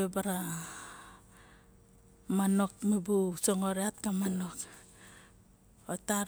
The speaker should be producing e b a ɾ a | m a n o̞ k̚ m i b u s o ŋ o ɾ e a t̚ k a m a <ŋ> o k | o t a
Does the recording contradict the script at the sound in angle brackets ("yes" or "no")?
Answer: yes